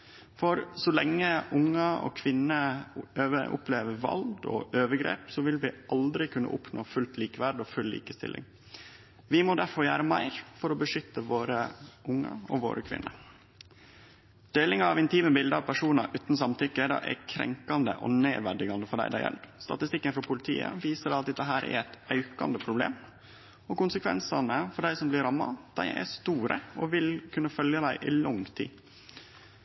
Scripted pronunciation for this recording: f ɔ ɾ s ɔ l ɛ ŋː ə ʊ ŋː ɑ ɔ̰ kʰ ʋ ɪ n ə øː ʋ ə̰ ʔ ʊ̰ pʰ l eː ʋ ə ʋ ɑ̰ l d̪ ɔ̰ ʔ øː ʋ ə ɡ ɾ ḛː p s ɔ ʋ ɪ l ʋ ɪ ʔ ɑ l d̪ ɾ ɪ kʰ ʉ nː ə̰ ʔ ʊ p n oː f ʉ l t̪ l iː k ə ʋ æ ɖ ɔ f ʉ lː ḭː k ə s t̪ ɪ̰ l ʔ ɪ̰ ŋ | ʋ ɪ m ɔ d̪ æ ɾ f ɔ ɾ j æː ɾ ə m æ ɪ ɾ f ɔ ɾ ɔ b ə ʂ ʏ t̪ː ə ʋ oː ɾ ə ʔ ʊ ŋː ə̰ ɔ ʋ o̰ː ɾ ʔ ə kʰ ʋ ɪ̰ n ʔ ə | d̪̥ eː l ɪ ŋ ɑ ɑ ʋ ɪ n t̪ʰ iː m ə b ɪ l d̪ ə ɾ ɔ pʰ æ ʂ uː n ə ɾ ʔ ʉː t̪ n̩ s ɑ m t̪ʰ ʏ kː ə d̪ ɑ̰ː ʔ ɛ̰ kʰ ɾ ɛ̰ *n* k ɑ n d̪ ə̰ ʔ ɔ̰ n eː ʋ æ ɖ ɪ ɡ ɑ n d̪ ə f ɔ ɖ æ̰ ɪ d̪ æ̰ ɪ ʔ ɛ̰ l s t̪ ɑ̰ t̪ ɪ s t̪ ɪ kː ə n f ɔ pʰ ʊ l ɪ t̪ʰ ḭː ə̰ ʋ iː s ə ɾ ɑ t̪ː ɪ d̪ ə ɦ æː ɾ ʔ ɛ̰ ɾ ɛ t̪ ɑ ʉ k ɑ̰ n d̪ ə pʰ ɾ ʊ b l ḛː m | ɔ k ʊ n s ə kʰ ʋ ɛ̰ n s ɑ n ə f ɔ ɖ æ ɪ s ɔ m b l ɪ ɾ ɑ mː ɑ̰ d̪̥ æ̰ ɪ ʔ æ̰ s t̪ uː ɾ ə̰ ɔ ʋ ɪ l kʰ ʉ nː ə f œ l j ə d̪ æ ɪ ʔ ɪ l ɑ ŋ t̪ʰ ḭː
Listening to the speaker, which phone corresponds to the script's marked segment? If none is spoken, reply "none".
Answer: ŋ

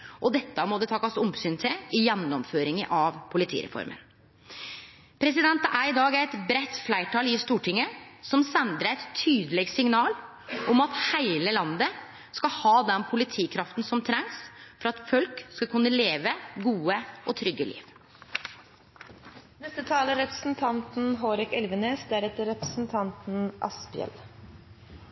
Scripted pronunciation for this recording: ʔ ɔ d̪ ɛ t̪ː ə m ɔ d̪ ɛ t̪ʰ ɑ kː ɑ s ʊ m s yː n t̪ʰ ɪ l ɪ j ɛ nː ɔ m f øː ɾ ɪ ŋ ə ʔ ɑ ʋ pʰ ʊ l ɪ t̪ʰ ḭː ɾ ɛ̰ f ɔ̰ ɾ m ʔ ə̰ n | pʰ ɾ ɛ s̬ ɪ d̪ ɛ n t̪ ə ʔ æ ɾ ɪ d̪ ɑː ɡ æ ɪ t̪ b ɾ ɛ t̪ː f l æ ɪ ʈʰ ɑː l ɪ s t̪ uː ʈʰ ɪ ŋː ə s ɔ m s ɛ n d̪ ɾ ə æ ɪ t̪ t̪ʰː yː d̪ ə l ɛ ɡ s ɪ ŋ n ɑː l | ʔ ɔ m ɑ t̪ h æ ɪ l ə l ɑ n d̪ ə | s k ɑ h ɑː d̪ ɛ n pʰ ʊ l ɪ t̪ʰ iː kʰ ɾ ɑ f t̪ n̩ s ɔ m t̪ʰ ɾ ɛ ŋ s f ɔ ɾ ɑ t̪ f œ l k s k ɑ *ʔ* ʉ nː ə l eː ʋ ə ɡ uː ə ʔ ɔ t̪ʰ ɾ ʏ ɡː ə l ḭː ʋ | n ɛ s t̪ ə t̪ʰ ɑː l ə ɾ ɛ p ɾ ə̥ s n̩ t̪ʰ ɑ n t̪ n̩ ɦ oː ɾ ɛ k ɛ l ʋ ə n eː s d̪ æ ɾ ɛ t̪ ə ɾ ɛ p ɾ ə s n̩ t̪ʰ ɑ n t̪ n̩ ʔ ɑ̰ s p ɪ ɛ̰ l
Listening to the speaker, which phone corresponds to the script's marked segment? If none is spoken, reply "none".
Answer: k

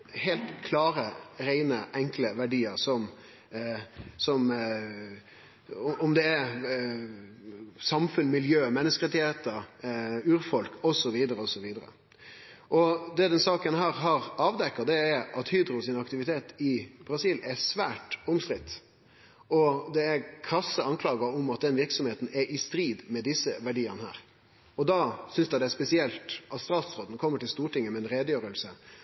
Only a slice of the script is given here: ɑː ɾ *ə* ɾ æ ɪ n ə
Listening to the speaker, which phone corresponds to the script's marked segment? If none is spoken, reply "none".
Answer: ə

